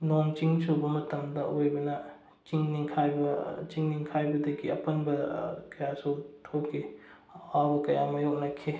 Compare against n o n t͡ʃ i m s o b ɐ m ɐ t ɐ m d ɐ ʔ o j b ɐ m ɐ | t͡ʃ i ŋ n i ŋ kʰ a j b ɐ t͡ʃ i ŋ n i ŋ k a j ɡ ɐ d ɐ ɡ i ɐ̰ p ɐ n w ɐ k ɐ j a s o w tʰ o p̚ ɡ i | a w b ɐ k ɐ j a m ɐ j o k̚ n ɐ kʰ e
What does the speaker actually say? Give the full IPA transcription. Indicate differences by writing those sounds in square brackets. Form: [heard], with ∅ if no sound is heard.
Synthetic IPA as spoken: n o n t͡ʃ i [ŋ] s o b ɐ m ɐ t ɐ m d ɐ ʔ o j b ɐ [n] ɐ | t͡ʃ i ŋ n i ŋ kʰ a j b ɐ t͡ʃ i ŋ n i ŋ [kʰ] a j [b] ɐ d ɐ ɡ i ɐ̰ p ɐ n [b] ɐ k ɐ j a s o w tʰ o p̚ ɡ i | a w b ɐ k ɐ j a m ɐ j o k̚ n ɐ kʰ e